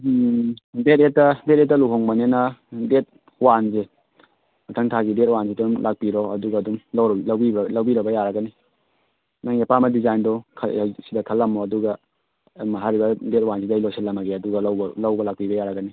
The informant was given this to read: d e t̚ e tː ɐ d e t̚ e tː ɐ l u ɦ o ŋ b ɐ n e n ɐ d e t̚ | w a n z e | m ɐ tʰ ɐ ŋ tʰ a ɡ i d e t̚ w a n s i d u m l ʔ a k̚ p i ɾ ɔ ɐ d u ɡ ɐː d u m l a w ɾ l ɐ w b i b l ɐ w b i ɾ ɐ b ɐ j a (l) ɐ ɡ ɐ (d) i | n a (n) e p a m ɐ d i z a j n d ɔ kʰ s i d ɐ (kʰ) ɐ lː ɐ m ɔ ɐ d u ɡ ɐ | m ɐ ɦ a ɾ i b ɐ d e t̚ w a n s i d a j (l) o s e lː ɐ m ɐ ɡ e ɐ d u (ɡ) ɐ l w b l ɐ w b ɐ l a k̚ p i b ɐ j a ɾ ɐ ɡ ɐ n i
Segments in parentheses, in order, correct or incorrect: incorrect, incorrect, incorrect, correct, correct, correct

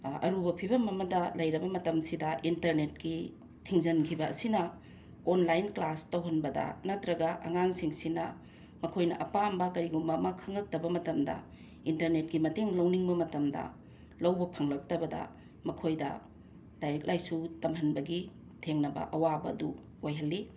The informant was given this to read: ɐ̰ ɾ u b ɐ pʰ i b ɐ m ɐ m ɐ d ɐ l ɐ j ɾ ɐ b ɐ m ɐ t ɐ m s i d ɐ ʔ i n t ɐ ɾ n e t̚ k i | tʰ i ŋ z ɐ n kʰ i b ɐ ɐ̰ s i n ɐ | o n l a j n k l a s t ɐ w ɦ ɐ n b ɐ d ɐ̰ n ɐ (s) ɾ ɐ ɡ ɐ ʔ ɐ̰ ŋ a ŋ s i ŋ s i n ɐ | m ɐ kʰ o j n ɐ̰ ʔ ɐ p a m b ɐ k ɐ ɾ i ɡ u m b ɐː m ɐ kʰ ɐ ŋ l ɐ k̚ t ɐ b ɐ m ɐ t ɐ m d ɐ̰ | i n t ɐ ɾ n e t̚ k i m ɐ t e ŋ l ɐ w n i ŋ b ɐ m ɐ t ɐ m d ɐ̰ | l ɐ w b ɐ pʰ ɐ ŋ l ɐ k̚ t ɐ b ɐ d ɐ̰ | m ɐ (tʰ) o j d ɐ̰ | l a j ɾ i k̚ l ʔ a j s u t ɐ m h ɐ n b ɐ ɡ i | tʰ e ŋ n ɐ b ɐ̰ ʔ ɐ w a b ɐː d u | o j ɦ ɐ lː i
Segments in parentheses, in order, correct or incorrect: incorrect, incorrect

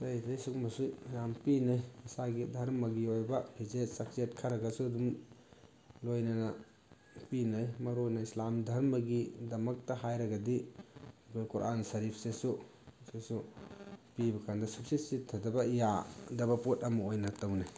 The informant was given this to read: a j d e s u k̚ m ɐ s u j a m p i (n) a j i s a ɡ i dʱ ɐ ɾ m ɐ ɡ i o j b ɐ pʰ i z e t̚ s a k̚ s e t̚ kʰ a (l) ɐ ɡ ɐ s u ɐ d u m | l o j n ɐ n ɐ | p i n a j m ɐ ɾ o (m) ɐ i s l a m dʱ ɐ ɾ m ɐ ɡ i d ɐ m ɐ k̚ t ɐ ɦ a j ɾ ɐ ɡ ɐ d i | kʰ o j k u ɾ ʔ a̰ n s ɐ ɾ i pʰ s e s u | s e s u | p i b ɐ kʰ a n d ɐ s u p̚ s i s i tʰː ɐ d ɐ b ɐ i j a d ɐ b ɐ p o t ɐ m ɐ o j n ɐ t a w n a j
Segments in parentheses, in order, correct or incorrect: correct, incorrect, incorrect

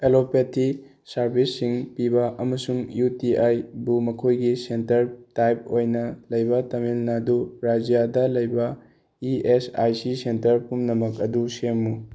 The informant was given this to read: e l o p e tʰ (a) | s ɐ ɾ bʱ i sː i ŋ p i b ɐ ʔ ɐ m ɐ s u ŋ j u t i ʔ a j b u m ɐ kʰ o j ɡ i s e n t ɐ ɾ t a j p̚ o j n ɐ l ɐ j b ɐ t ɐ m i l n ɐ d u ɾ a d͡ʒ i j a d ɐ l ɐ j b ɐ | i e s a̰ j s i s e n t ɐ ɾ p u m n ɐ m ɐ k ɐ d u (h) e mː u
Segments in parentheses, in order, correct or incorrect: incorrect, incorrect

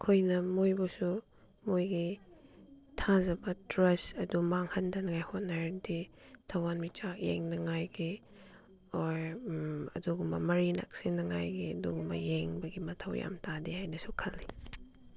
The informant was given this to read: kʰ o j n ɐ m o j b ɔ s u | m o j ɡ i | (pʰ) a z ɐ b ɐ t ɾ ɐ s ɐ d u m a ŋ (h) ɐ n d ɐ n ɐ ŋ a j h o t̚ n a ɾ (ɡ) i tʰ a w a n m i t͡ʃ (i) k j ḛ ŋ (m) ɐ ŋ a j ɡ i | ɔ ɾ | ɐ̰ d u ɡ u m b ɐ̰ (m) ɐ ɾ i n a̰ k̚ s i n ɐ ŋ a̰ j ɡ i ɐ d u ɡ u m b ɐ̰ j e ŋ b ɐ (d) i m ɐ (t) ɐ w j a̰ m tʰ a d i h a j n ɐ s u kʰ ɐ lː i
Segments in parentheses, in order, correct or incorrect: incorrect, correct, incorrect, incorrect, incorrect, correct, incorrect, incorrect

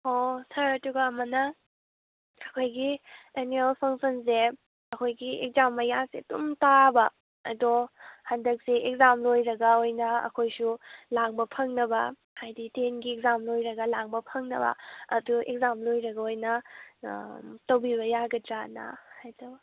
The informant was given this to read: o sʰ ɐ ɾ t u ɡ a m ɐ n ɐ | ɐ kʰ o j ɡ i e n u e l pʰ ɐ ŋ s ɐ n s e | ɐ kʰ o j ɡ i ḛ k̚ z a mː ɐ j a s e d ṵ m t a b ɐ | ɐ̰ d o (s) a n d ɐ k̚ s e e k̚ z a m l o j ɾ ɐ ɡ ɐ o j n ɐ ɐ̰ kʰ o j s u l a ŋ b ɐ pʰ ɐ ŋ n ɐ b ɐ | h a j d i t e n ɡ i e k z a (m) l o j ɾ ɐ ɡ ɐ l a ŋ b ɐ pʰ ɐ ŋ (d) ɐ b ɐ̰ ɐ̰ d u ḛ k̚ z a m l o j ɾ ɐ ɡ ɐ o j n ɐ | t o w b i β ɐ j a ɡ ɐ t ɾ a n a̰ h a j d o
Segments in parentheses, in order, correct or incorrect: incorrect, correct, incorrect

